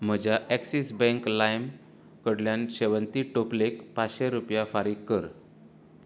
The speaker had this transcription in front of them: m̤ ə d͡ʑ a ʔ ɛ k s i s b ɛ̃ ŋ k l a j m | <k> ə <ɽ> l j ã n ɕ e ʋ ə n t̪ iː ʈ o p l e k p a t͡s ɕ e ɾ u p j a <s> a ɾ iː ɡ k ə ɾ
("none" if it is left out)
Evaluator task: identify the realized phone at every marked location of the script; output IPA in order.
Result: k, ɽ, f

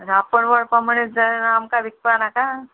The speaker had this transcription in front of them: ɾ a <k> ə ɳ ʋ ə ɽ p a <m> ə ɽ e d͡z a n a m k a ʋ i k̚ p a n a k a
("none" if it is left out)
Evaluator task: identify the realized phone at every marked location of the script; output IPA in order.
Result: p, m

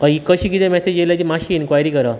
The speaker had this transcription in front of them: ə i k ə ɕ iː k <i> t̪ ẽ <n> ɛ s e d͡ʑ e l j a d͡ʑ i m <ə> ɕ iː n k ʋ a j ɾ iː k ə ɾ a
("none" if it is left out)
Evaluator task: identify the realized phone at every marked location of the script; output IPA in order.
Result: i, m, a

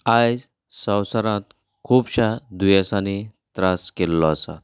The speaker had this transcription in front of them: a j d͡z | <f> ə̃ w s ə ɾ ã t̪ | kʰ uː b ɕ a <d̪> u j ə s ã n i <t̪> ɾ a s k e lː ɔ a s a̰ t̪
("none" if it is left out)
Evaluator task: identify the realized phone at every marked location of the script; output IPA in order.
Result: s, d̪, t̪

